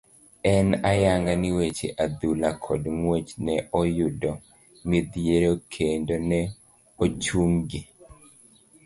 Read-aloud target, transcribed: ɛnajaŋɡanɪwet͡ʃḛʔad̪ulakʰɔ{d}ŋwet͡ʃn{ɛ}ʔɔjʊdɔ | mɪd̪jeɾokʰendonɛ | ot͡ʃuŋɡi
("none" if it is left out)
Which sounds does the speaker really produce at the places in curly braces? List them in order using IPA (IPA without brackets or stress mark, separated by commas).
d, ɛ